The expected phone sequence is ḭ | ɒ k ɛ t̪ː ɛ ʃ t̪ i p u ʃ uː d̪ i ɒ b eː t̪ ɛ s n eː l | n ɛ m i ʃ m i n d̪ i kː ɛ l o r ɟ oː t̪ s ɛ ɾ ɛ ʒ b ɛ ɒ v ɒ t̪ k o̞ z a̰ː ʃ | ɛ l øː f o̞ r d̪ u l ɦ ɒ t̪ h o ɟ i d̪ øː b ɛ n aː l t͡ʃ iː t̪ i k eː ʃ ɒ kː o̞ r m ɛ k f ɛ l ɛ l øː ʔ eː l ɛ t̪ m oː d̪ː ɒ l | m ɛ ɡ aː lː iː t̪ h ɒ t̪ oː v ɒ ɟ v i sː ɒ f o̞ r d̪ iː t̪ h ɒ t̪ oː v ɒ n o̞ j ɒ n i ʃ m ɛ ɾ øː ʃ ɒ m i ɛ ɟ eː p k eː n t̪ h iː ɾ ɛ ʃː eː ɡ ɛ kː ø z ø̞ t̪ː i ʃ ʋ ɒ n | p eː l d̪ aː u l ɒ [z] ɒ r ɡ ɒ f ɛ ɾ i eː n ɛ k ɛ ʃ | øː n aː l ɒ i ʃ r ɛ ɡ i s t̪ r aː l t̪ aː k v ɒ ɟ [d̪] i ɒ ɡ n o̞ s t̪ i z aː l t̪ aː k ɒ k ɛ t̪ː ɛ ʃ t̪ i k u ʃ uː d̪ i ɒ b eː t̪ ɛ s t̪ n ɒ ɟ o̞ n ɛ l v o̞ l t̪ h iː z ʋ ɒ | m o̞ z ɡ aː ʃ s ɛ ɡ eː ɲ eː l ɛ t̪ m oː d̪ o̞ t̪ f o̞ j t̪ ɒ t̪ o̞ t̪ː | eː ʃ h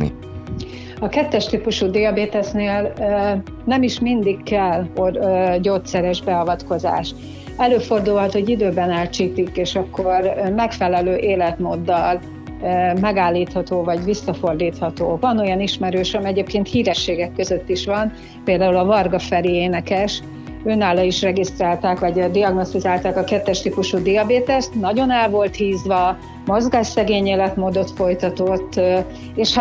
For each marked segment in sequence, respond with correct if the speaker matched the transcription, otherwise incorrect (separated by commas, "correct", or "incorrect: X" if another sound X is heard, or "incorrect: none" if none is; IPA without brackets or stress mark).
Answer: incorrect: v, correct